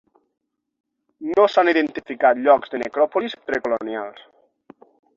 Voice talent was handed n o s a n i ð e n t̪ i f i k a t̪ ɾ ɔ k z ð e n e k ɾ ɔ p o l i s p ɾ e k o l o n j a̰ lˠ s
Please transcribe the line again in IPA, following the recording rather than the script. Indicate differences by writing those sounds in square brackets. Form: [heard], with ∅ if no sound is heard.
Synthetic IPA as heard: n o s a n i ð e n t̪ i f i k a t̪ [ʎ] ɔ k z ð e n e k ɾ ɔ p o l i s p ɾ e k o l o n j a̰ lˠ s